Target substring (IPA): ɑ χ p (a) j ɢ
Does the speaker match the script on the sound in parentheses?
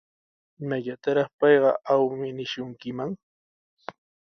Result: no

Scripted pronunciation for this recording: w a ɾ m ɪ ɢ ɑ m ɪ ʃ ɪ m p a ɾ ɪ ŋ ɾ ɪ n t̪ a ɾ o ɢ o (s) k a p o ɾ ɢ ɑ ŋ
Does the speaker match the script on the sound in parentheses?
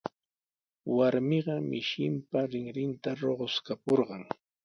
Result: yes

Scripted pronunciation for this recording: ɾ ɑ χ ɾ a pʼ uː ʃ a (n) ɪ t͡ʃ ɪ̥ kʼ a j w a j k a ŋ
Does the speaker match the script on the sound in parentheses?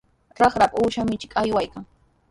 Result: no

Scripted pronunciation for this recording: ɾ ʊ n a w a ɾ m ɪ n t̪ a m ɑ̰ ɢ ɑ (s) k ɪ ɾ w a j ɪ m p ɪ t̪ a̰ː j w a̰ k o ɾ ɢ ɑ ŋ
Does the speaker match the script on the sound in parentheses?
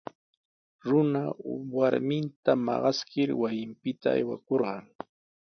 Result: yes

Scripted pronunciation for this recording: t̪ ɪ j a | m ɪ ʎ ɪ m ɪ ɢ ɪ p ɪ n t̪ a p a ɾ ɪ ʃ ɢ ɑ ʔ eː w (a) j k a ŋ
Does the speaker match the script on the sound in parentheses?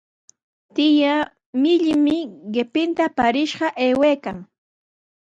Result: no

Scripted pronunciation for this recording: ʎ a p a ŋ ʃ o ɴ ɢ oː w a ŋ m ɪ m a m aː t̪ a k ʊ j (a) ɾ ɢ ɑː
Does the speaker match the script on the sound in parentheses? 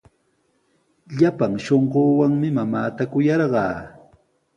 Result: no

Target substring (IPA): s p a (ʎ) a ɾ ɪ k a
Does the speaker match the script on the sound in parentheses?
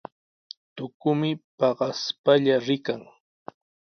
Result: yes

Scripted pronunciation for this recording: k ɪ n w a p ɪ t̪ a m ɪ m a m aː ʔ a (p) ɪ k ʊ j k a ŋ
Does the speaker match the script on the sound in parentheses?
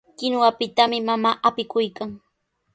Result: yes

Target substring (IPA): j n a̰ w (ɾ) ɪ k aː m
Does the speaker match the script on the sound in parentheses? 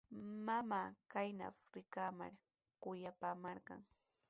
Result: yes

